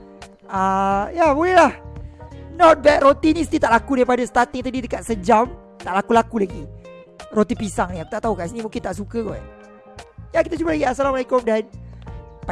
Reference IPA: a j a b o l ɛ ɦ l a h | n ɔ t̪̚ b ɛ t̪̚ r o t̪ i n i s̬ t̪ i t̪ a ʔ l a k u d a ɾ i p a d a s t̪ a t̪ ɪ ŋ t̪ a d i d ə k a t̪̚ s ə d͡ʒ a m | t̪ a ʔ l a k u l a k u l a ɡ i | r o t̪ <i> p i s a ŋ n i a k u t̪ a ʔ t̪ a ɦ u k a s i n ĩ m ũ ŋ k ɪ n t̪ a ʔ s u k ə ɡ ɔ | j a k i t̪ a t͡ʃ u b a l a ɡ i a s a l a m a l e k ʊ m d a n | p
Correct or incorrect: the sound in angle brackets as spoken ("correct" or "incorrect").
correct